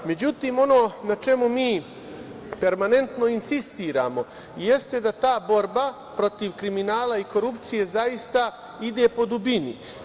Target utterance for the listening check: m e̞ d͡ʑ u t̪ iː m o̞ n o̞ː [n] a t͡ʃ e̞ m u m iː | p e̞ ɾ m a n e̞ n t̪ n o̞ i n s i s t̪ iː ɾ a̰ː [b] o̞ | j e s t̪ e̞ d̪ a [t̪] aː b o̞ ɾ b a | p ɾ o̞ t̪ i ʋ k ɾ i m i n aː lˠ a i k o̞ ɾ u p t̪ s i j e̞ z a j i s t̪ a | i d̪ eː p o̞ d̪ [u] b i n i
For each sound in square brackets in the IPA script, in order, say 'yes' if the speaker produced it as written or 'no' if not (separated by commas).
yes, no, yes, yes